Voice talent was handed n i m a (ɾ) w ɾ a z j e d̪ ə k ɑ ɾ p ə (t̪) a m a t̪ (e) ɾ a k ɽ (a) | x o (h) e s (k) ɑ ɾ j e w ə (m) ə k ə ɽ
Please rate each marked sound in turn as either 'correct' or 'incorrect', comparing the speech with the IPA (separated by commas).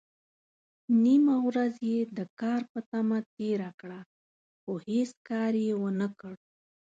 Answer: incorrect, correct, correct, correct, correct, correct, incorrect